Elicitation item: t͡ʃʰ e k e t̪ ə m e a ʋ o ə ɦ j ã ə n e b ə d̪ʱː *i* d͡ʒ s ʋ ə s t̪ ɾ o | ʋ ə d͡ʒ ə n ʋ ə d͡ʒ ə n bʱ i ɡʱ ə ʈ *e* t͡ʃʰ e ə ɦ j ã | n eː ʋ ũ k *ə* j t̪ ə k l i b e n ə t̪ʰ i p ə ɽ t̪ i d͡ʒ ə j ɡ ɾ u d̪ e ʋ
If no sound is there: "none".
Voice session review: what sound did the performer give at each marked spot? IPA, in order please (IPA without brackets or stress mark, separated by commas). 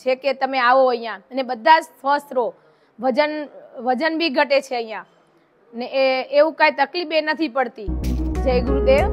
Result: a, e, a